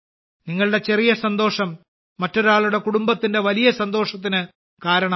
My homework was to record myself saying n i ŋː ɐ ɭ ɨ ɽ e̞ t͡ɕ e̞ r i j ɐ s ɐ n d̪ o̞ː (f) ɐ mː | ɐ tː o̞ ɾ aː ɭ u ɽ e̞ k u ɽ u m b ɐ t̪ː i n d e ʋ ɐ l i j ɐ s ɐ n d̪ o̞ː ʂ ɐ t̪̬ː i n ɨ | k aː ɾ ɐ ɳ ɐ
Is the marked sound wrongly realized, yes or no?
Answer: yes